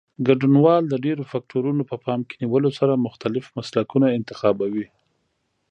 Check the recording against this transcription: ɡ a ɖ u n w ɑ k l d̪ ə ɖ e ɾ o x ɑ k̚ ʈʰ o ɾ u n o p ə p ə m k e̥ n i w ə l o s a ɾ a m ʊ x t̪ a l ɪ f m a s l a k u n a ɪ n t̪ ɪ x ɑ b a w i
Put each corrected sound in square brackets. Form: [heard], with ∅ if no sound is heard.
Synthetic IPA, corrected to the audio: ɡ a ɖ u n w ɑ [∅] l d̪ ə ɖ e ɾ o [f] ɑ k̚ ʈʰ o ɾ u n o p ə p [ɑ] m k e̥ n i w ə l o s a ɾ a m ʊ x t̪ a l ɪ f m a s l a k u n a ɪ n t̪ ɪ x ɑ b a w i